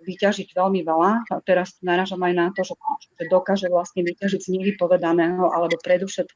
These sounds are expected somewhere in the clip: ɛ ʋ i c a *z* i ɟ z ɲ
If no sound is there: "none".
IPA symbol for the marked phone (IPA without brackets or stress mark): ʒ